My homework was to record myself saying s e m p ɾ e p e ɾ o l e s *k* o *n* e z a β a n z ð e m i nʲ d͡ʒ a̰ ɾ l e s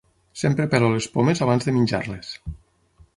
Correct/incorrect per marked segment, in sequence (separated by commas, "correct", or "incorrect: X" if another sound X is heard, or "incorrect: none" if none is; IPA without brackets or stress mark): incorrect: p, incorrect: m